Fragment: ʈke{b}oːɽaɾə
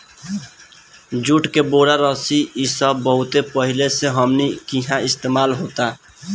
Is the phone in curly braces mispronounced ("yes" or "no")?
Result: no